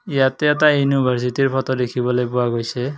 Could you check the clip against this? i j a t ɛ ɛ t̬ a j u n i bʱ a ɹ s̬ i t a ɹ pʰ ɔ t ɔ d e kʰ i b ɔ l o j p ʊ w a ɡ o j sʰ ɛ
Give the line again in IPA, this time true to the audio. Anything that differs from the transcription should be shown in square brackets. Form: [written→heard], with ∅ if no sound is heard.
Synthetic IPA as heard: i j a t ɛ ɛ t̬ a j u n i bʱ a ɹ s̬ i t [a→i] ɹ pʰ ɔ t ɔ d e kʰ i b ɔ l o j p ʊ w a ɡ o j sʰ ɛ